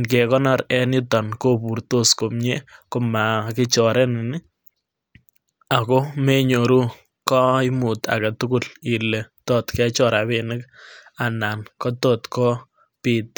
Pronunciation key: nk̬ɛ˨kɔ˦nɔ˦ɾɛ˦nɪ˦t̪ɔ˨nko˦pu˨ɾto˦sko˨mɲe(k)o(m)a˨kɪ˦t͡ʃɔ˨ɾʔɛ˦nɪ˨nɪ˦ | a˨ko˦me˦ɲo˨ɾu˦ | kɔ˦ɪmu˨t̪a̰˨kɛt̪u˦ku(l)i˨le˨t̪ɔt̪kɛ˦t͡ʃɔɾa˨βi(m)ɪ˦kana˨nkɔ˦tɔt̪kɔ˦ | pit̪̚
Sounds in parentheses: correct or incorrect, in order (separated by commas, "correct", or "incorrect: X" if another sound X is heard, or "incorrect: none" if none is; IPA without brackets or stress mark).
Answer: correct, correct, correct, incorrect: n